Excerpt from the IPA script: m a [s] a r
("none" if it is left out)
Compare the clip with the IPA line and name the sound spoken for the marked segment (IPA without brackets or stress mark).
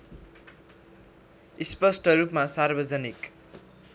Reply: s